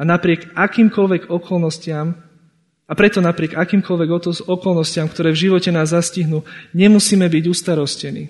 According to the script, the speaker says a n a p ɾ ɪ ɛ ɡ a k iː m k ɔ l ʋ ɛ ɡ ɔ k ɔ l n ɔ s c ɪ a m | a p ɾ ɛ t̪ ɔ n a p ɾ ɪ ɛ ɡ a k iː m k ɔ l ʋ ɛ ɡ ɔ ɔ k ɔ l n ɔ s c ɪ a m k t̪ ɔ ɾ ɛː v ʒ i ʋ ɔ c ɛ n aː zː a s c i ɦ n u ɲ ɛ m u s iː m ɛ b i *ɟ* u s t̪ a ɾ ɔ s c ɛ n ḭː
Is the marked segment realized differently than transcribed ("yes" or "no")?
no